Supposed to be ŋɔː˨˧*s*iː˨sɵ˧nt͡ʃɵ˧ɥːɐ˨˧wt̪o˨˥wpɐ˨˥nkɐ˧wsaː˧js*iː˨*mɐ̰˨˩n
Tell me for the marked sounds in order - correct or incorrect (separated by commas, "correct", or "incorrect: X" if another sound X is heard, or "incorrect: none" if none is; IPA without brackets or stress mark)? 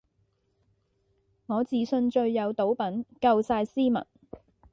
incorrect: t͡s, incorrect: iː˥